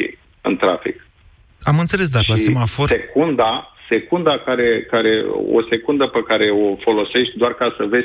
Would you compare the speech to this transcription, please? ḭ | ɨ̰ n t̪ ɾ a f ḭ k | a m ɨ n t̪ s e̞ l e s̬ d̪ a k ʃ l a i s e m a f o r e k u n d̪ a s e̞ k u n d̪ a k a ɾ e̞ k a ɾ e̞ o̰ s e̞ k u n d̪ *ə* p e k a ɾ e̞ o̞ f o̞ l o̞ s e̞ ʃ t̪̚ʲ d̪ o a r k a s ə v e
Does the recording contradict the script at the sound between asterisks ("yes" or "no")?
no